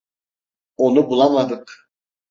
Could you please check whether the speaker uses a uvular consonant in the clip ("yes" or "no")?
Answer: yes